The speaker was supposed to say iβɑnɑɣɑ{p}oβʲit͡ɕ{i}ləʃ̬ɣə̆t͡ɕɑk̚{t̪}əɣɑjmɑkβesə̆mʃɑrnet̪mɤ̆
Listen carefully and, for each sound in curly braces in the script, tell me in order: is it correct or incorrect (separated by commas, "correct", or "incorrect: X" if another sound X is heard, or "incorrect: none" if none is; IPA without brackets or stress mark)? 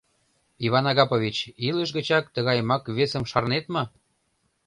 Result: correct, correct, correct